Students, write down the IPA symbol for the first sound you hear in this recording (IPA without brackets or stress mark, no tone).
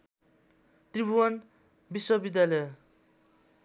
t̪